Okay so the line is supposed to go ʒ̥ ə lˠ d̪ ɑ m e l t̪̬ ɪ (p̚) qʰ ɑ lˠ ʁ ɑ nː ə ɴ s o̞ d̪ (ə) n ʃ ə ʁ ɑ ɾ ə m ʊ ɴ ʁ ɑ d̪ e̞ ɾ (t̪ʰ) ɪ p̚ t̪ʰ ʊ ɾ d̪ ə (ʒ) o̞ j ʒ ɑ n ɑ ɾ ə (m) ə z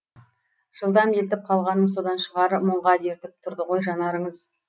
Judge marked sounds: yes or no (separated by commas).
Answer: yes, no, no, no, no